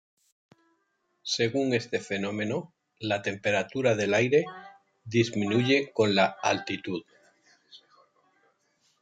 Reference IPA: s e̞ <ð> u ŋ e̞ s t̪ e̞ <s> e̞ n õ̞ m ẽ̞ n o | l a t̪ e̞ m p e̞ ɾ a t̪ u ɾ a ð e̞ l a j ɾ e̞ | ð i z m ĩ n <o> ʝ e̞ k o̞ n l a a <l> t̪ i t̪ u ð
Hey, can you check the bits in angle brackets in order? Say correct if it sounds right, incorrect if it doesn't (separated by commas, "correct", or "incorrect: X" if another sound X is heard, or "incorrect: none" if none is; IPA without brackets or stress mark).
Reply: incorrect: ɣ, incorrect: f, incorrect: u, correct